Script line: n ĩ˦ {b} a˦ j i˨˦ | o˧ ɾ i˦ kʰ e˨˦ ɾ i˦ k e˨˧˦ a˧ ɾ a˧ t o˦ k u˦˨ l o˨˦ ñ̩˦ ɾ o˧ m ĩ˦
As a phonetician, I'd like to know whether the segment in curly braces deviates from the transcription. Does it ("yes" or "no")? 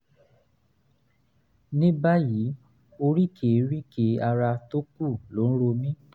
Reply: no